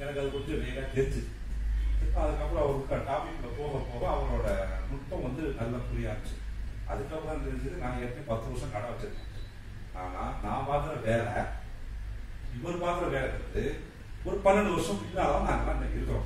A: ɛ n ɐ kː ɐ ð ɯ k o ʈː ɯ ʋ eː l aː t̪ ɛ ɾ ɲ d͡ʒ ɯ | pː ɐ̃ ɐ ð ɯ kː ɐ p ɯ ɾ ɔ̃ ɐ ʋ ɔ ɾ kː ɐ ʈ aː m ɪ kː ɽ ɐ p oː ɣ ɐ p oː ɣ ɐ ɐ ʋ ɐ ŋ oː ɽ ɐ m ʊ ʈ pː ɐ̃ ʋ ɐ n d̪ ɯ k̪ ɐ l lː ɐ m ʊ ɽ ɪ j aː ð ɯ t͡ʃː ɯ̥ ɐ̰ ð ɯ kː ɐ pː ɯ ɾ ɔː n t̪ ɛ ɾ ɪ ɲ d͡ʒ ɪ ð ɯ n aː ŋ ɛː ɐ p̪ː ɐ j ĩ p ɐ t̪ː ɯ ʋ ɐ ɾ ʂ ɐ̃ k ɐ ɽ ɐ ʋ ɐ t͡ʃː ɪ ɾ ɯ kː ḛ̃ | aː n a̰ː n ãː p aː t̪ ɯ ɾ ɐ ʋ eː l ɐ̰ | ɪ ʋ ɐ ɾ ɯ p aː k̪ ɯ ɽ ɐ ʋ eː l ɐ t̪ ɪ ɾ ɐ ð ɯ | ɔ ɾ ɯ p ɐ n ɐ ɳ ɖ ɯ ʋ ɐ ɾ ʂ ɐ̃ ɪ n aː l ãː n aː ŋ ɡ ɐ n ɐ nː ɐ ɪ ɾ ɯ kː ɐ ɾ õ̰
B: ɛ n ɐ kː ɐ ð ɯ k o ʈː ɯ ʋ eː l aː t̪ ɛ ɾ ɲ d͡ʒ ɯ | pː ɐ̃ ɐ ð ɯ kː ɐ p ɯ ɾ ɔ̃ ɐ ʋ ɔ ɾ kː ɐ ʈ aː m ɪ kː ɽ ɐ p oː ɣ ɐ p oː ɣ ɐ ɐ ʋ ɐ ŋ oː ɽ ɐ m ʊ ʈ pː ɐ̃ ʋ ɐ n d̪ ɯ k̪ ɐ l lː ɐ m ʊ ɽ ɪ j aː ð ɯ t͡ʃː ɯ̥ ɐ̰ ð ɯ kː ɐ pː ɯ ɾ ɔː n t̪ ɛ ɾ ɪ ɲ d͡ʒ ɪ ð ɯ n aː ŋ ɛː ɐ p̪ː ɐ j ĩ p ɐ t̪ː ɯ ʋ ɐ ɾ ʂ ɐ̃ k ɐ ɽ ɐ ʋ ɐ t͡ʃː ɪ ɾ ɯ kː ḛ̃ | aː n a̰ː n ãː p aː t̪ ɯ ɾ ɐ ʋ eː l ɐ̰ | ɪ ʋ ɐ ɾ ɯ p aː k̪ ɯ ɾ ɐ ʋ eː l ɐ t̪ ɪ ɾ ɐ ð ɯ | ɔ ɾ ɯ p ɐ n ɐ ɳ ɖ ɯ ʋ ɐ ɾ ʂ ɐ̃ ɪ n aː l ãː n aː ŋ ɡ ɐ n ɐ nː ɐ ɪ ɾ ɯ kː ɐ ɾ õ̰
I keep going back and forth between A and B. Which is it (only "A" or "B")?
B